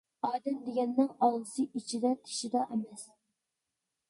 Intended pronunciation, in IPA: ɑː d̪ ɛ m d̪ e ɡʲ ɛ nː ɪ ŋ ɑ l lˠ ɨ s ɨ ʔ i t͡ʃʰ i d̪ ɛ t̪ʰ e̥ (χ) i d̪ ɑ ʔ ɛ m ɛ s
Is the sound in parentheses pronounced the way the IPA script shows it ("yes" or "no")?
no